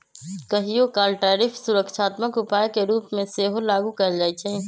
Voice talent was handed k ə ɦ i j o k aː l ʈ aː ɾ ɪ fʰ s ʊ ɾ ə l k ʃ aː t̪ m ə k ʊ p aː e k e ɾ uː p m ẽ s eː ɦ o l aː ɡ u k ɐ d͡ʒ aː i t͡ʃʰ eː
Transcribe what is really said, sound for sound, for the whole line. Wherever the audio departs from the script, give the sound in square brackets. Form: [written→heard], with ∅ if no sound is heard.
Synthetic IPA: k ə ɦ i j o k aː l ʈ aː ɾ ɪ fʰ s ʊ ɾ ə [l→∅] k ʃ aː t̪ m ə k ʊ p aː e k e ɾ uː p m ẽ s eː ɦ o l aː ɡ u k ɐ d͡ʒ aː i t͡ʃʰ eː